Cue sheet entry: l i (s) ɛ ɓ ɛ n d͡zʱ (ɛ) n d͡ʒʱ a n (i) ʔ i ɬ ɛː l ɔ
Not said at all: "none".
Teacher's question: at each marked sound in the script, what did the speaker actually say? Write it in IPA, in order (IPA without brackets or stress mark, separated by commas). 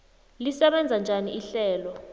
s, a, i